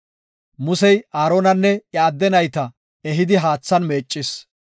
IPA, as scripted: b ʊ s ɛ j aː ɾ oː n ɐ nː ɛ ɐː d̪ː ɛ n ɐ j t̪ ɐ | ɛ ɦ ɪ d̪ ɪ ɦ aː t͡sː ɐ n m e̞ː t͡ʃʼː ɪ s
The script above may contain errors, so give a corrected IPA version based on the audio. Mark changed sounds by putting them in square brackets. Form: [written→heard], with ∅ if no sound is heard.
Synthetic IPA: [b→m] ʊ s ɛ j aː ɾ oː n ɐ nː ɛ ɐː d̪ː ɛ n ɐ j t̪ ɐ | ɛ ɦ ɪ d̪ ɪ ɦ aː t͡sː ɐ n m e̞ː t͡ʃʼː ɪ s